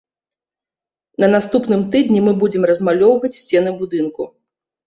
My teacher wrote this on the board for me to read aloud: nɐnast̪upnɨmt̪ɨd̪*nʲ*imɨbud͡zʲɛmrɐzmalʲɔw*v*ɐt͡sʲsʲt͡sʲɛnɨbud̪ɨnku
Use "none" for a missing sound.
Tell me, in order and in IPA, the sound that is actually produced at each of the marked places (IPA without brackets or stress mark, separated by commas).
nʲ, v